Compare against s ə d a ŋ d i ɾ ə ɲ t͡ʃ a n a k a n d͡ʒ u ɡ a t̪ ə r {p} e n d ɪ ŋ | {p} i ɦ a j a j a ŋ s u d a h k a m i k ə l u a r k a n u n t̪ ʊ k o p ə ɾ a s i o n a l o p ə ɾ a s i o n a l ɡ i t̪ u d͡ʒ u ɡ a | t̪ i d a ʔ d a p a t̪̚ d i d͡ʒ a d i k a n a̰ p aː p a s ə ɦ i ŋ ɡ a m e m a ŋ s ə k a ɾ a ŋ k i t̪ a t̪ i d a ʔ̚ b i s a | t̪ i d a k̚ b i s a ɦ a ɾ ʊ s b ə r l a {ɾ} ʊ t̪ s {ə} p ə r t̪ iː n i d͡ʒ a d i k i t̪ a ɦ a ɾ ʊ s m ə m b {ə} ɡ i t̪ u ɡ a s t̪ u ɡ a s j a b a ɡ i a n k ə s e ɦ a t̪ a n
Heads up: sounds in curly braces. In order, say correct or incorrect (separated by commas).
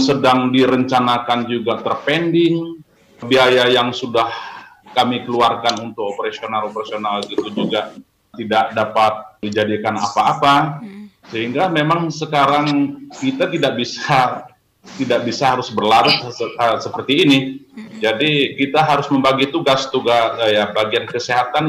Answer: correct, incorrect, correct, correct, incorrect